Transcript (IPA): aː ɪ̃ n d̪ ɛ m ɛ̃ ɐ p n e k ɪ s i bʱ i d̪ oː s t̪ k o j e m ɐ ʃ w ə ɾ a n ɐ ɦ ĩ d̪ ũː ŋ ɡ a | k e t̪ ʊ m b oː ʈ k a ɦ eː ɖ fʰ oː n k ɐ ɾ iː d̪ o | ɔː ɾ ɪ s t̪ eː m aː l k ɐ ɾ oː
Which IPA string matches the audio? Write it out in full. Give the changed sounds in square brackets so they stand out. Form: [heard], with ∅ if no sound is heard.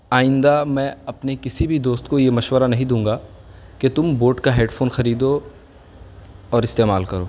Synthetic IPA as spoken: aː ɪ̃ n d̪ [a] m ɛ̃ ɐ p n e k ɪ s i bʱ i d̪ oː s t̪ k o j e m ɐ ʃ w ə ɾ a n ɐ ɦ ĩ d̪ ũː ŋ ɡ a | k e t̪ ʊ m b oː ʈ k a ɦ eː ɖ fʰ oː n [x] ɐ ɾ iː d̪ o | ɔː ɾ ɪ s t̪ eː m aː l k ɐ ɾ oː